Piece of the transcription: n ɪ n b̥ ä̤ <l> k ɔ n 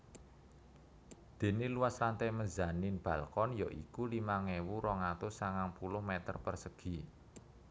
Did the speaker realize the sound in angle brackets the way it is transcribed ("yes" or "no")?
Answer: yes